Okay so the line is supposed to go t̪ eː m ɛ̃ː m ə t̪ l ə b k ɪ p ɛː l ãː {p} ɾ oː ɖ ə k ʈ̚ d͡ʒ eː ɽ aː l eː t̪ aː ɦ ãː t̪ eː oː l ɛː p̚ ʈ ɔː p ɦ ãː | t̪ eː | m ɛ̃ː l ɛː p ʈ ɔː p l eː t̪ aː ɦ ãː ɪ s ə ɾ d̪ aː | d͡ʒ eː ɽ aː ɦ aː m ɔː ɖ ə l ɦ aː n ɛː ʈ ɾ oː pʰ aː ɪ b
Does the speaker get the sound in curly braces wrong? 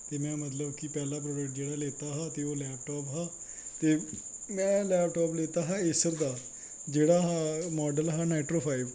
no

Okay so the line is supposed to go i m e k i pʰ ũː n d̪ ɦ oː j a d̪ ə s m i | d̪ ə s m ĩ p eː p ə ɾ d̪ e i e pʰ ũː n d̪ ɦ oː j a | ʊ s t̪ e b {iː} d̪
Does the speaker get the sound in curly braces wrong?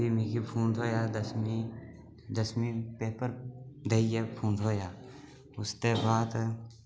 yes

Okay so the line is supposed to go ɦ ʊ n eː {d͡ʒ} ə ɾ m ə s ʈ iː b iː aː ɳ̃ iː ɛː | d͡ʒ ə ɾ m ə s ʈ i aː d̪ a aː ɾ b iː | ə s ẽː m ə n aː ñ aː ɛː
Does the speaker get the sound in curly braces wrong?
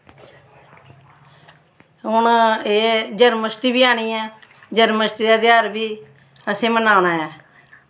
no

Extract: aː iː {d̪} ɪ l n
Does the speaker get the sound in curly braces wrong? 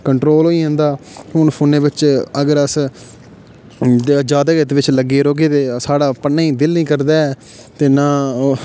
no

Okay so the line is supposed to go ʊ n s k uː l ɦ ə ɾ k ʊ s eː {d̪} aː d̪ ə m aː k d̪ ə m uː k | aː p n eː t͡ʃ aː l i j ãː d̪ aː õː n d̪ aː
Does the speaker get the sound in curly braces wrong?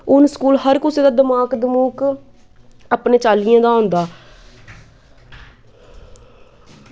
no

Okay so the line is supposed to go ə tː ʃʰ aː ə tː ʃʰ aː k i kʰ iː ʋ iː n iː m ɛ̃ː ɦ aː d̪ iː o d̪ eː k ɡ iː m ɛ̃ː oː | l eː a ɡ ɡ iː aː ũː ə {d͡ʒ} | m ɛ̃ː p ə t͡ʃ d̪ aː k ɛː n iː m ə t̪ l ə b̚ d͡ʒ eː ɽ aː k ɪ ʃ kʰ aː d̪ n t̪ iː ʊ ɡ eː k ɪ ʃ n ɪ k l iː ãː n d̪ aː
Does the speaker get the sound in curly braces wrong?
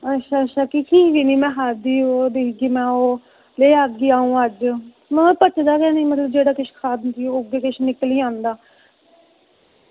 no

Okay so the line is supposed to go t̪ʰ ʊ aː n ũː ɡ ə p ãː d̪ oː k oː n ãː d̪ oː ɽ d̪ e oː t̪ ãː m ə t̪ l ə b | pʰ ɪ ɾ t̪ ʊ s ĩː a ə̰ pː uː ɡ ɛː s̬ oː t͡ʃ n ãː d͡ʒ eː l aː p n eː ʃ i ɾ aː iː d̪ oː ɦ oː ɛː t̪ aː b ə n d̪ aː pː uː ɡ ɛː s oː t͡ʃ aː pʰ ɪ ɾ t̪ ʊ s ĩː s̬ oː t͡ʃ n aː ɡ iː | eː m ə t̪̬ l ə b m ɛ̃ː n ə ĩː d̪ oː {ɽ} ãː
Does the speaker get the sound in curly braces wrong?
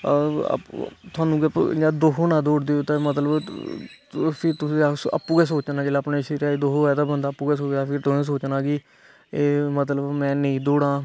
no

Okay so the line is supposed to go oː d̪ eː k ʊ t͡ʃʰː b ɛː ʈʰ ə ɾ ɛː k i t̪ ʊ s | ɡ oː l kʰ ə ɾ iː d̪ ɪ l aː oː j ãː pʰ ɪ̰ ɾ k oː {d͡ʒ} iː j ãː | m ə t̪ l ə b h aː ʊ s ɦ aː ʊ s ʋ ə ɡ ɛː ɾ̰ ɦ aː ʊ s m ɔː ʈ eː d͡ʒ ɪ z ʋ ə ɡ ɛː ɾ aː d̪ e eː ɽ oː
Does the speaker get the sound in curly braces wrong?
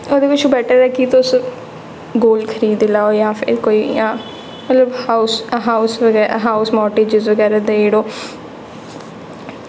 yes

